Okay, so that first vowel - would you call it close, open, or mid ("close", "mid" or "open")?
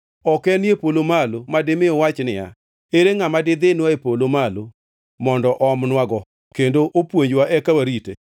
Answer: mid